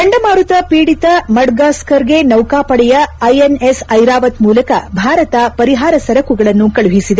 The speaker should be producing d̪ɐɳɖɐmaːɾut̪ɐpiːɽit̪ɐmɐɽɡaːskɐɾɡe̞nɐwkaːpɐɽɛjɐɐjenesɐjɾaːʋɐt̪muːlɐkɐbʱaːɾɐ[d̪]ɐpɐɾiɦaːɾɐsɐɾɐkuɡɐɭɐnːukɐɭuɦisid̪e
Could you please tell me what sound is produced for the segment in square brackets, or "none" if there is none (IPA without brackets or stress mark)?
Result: t̪